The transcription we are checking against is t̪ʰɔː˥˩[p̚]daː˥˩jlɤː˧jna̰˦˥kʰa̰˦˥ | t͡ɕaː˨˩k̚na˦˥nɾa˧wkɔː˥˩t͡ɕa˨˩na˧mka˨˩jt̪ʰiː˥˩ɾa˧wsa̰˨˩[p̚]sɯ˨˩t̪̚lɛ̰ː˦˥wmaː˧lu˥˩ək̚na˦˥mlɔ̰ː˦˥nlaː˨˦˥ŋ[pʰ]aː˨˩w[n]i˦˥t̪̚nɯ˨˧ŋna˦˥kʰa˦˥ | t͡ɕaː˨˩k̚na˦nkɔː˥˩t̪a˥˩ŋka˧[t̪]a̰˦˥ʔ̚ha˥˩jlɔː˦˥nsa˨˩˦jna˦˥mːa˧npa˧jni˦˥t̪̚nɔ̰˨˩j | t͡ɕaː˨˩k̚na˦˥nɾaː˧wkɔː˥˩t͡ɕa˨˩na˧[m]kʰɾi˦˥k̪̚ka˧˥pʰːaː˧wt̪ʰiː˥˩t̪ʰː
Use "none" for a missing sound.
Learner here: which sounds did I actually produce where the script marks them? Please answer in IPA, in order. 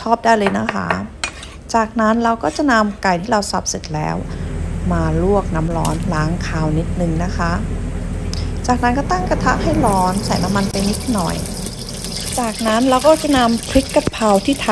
p̚, p̚, kʰ, n, t̪ʰ, m

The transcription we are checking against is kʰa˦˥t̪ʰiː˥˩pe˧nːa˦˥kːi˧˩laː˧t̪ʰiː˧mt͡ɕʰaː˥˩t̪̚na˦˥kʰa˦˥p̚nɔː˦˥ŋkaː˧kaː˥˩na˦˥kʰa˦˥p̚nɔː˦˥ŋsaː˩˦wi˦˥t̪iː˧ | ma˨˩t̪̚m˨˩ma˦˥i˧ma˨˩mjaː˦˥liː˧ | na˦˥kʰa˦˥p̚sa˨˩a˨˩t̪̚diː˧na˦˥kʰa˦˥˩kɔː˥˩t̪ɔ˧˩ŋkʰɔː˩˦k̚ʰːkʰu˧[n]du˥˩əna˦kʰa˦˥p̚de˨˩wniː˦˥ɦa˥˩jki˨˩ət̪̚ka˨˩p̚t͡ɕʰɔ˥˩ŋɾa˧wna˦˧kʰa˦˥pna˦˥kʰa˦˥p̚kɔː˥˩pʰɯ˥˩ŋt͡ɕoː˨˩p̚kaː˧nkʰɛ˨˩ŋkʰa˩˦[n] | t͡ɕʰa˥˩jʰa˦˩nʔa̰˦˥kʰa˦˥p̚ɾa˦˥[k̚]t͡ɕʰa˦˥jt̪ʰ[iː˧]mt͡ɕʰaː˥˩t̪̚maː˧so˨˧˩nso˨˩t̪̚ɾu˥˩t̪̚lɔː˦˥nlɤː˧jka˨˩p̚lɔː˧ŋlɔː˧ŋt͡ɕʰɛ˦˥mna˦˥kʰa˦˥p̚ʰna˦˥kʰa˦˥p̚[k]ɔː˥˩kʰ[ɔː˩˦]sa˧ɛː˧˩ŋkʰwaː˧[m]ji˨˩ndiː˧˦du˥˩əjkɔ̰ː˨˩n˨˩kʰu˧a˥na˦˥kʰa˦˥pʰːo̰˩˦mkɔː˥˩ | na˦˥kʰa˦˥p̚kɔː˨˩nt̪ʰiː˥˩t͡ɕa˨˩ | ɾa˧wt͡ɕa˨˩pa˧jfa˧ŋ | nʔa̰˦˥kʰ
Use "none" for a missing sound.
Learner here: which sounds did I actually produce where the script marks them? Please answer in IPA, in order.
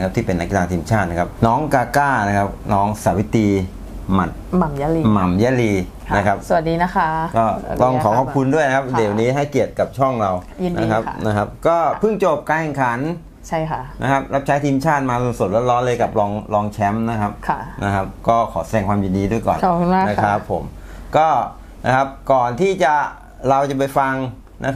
n, n, p̚, iː˧, k, ɔː˩˦, m

